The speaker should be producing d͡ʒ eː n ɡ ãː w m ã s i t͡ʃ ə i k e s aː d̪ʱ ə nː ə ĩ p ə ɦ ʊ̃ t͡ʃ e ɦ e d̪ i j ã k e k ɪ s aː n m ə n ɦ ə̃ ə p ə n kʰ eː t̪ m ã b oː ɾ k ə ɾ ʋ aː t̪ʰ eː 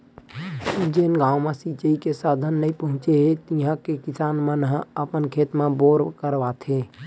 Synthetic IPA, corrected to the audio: d͡ʒ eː n ɡ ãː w m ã s i t͡ʃ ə i k e s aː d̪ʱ ə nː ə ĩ p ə ɦ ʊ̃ t͡ʃ e ɦ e t̪ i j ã k e k ɪ s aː n m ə n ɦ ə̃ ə p ə n kʰ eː t̪ m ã b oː ɾ k ə ɾ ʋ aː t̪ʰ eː